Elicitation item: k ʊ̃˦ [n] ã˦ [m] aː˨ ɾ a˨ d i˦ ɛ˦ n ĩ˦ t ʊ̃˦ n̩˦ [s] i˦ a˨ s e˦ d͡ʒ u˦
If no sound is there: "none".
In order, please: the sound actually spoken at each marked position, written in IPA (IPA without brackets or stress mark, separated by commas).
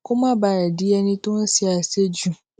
m, b, s